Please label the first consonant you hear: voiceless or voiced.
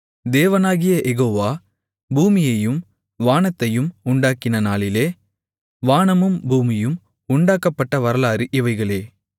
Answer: voiced